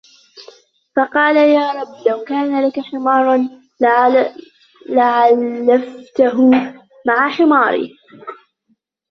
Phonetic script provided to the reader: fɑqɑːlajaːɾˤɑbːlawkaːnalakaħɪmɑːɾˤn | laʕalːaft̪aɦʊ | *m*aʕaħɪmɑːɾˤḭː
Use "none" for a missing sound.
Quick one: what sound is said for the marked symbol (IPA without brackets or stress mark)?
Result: m